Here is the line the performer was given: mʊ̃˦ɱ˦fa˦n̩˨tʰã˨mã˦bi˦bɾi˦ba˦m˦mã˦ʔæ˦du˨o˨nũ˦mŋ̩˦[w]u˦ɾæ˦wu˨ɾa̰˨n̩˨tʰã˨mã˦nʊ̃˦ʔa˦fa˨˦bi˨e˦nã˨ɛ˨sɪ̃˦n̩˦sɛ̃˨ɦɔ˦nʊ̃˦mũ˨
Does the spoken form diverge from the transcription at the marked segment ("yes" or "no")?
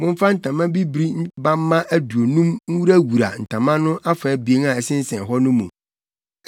no